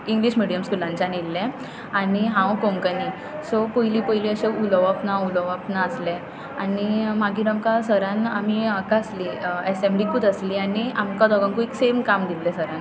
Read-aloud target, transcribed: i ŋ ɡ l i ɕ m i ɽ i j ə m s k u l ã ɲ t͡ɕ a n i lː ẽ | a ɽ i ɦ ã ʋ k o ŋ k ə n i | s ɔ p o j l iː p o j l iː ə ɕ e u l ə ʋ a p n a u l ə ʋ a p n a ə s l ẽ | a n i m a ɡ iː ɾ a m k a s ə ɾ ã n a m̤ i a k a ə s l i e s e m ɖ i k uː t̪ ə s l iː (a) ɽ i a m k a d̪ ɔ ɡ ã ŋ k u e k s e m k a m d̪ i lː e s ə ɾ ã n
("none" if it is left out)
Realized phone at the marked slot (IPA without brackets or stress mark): a